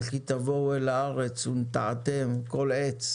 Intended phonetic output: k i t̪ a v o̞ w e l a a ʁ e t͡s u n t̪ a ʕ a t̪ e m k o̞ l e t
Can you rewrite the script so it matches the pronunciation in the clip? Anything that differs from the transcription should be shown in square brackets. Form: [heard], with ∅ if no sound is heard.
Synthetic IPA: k i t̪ a v o̞ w e l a a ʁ e t͡s u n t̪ a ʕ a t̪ e m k o̞ l e [t͡s]